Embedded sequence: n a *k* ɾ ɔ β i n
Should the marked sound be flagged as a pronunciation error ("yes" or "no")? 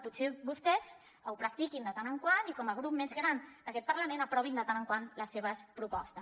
yes